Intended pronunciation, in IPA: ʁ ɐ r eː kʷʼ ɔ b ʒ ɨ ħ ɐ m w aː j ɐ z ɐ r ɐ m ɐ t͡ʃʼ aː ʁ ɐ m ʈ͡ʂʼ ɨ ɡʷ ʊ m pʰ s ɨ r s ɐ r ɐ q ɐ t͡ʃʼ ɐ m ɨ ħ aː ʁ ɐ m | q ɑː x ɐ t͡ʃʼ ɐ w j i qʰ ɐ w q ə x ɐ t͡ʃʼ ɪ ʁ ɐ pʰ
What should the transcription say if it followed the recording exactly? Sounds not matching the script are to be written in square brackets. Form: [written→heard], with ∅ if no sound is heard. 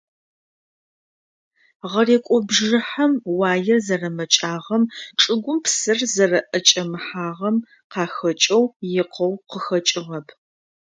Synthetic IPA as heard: ʁ ɐ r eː kʷʼ ɔ b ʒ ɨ ħ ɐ m w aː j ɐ z ɐ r ɐ m ɐ t͡ʃʼ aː ʁ ɐ m ʈ͡ʂʼ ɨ ɡʷ ʊ m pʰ s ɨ r [s→z] ɐ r ɐ [q→ʔ] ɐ t͡ʃʼ ɐ m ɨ ħ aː ʁ ɐ m | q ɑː x ɐ t͡ʃʼ ɐ w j [i→ɪ] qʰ ɐ w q ə x ɐ t͡ʃʼ ɪ ʁ ɐ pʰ